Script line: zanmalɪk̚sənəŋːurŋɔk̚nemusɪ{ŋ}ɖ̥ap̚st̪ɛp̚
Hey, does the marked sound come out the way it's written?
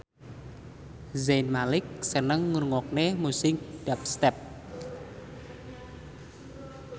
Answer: yes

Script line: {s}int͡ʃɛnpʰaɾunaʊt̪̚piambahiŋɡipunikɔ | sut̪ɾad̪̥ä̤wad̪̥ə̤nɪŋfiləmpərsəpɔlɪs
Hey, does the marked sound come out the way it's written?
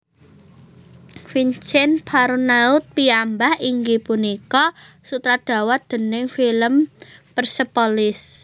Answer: no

